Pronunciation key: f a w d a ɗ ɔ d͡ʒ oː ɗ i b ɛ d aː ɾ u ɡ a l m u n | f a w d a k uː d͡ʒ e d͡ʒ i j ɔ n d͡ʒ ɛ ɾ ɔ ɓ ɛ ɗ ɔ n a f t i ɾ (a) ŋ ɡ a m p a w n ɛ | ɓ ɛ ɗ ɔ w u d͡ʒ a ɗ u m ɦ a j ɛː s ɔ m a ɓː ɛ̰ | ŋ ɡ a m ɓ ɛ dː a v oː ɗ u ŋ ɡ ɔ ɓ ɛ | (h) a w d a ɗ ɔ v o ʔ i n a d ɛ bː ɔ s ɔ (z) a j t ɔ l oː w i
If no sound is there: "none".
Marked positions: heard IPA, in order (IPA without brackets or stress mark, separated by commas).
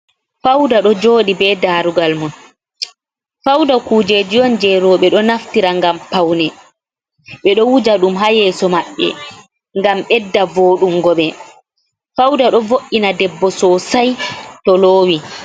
a, f, s